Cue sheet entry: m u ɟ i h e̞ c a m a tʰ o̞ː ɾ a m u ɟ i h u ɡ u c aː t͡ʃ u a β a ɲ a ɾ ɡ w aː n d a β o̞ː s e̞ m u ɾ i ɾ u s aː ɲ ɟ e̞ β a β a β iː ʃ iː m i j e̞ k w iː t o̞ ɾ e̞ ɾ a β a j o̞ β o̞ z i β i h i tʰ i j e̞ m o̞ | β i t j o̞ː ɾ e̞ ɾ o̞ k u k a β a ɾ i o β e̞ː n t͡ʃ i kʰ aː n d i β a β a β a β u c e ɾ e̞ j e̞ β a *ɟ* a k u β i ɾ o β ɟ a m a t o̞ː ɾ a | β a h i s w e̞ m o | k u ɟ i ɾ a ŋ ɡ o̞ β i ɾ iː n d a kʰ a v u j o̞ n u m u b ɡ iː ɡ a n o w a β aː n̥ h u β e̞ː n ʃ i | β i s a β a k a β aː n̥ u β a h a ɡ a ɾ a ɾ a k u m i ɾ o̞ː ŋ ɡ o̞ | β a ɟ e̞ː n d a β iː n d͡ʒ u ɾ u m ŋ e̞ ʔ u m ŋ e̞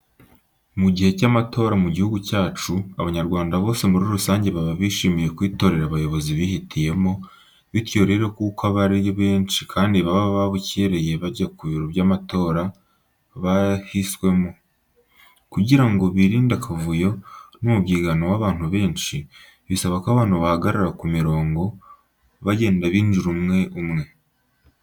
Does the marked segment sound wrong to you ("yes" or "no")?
no